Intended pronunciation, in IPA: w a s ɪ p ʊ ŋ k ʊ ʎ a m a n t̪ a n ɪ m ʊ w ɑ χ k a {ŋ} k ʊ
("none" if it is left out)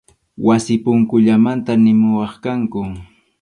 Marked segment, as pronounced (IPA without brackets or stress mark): ŋ